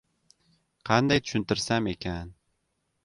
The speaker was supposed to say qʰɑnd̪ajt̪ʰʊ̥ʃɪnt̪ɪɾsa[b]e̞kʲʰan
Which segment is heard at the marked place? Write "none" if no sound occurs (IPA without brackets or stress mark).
m